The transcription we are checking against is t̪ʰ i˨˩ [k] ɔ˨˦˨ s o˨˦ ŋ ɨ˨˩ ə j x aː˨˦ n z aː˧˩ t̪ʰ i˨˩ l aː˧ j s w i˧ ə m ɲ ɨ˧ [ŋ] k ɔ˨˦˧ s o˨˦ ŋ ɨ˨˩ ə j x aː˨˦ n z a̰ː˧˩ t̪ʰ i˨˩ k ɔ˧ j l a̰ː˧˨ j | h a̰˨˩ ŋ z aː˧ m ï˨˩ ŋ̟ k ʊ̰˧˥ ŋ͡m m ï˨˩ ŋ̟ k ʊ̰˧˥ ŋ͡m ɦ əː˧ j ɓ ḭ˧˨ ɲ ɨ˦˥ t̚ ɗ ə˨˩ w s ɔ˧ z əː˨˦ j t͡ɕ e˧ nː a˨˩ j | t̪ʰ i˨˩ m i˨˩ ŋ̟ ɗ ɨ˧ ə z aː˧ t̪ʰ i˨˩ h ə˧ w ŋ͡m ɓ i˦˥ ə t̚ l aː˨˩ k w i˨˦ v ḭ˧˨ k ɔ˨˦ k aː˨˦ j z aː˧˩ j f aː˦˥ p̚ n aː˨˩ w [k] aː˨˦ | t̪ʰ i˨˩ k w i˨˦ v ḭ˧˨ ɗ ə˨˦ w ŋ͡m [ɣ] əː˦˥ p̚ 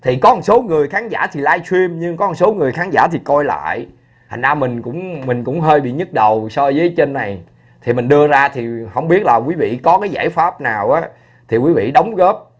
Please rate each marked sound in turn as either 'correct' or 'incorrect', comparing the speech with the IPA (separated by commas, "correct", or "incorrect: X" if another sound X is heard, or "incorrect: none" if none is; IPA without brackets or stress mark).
correct, correct, incorrect: ʔ, correct